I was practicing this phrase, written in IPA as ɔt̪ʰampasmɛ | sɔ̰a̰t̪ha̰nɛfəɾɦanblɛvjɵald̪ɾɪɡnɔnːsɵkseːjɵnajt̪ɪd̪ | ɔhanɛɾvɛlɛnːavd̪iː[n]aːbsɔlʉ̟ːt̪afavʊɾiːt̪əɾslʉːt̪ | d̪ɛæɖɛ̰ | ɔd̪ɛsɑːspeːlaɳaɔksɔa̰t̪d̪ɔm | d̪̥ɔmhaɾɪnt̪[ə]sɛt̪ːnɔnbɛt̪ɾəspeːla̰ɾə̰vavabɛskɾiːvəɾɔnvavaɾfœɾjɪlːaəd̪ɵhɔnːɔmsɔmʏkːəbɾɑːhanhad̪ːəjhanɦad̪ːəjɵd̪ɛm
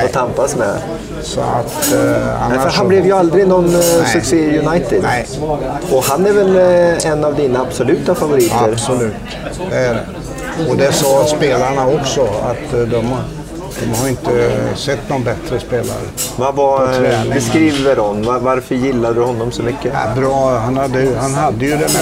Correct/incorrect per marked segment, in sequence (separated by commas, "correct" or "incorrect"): correct, correct